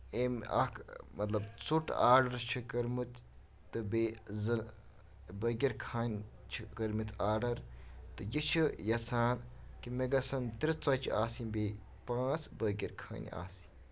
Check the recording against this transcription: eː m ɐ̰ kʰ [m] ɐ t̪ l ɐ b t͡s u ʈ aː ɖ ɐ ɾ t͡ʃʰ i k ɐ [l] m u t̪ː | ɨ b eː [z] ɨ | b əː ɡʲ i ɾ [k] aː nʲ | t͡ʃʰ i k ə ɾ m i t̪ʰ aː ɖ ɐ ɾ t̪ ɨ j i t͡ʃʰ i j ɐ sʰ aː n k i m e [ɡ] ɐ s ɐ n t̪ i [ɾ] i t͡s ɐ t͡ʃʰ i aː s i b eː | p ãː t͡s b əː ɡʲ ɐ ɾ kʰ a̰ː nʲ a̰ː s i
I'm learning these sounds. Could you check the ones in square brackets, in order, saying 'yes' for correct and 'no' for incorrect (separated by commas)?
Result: yes, no, yes, no, yes, yes